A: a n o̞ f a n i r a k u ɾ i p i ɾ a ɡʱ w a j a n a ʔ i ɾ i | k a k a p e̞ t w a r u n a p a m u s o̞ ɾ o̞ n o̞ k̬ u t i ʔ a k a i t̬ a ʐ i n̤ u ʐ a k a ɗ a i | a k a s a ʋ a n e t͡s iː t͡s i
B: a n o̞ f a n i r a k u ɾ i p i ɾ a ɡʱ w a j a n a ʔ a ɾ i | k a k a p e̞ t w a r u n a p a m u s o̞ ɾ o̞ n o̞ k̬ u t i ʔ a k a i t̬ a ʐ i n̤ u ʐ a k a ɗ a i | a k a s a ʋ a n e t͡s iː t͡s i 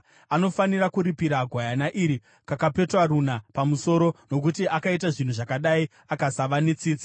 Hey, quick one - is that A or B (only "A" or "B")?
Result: A